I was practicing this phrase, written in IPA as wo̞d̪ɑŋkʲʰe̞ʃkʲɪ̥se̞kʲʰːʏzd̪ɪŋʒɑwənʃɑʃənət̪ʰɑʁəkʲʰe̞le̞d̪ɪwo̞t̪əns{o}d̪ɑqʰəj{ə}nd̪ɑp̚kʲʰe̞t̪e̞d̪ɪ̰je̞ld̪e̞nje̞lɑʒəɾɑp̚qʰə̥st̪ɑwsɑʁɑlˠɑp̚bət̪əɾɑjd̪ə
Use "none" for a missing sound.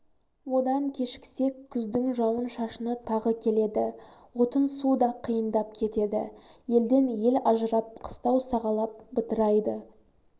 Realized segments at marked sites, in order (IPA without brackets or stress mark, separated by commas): u, ə